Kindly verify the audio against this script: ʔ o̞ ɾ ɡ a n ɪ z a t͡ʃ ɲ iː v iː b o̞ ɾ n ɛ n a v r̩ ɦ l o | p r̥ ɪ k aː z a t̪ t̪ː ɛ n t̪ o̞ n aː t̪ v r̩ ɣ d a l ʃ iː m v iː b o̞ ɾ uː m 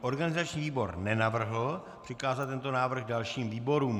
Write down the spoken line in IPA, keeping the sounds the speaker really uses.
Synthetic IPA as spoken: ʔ o̞ ɾ ɡ a n ɪ z a t͡ʃ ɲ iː v iː b o̞ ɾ n ɛ n a v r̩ ɦ l o | p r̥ ɪ k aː z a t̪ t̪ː ɛ n t̪ o̞ n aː v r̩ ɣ d a l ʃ iː m v iː b o̞ ɾ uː m